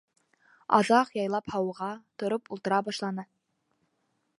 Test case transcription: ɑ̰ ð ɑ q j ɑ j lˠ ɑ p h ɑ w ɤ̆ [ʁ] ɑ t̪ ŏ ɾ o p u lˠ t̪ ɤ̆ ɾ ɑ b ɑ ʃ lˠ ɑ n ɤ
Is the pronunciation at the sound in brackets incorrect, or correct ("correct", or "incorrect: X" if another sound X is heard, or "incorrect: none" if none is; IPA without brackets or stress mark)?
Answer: correct